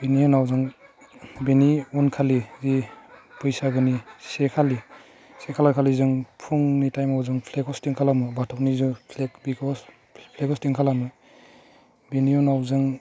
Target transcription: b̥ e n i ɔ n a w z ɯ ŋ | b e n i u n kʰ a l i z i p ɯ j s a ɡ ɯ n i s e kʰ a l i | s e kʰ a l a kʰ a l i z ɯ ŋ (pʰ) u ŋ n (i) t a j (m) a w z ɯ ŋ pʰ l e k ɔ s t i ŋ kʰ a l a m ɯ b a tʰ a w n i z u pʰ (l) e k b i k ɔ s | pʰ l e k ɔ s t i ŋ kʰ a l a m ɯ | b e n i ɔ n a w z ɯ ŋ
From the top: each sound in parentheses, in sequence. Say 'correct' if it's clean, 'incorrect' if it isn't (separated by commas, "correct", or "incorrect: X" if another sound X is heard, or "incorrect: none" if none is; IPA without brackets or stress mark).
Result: correct, correct, correct, correct